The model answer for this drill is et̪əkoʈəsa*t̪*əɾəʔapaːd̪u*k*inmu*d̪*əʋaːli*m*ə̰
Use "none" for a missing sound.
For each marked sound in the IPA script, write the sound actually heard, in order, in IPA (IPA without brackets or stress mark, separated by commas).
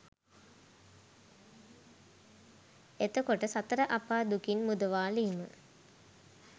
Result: t̪, k, d̪, m